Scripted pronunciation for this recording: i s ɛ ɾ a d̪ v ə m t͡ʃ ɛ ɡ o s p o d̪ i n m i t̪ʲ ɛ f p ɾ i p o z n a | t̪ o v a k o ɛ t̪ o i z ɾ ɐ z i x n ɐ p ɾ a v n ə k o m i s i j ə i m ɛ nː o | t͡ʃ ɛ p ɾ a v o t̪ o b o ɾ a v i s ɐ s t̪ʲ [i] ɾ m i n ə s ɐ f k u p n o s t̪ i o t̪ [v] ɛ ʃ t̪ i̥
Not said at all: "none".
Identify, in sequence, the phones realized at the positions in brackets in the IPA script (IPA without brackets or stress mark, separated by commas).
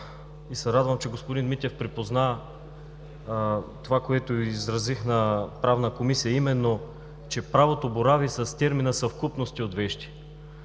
ɛ, v